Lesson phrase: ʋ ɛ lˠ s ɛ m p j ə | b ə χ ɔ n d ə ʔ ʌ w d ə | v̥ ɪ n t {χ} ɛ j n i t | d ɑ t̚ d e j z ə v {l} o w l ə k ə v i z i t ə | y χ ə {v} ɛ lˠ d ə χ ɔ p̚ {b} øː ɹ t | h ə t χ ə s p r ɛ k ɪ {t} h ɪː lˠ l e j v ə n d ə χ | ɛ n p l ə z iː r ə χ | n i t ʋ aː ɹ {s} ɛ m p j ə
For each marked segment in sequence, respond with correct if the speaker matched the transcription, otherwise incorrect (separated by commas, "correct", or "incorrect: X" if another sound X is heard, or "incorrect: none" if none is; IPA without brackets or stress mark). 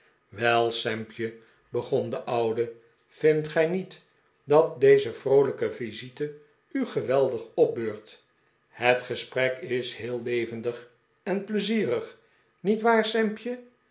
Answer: correct, incorrect: r, incorrect: ʋ, correct, incorrect: s, correct